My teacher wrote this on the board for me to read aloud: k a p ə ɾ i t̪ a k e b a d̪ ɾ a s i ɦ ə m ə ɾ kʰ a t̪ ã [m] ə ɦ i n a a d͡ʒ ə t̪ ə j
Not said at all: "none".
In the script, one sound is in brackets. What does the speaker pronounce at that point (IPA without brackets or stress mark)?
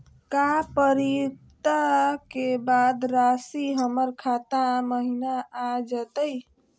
m